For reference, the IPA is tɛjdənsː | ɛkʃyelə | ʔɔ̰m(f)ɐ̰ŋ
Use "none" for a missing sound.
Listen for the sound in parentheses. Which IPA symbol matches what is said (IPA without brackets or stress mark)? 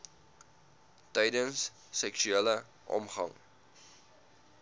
χ